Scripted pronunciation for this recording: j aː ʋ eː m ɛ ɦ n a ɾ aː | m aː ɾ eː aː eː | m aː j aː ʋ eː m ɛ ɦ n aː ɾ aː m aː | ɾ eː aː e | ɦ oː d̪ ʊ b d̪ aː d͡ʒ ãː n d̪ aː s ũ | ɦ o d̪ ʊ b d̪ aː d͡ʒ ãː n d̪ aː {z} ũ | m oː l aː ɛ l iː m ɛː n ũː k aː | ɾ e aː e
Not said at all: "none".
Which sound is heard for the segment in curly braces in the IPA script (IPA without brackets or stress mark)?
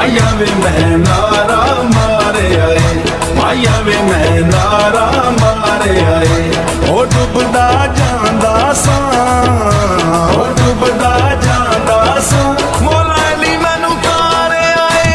s